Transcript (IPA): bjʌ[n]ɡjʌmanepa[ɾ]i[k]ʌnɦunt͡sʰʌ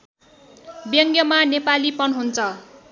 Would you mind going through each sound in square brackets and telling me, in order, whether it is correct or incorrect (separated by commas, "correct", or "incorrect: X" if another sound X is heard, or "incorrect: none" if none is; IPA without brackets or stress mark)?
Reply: incorrect: ŋ, incorrect: l, incorrect: p